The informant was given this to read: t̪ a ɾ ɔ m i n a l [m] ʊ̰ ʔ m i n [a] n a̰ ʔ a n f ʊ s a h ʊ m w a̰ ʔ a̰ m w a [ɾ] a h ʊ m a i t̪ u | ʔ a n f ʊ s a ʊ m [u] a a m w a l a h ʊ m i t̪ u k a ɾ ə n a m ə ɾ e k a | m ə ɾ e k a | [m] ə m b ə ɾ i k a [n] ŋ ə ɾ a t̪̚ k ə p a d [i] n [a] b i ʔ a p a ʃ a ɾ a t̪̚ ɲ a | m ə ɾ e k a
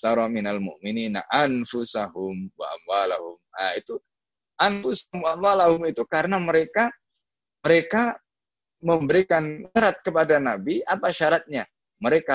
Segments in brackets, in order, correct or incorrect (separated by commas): correct, incorrect, incorrect, incorrect, correct, correct, incorrect, correct